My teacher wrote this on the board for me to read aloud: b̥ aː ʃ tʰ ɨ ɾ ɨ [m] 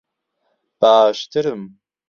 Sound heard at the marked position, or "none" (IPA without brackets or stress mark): m